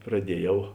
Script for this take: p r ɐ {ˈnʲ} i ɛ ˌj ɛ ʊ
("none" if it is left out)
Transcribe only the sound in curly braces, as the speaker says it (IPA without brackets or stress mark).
dʲ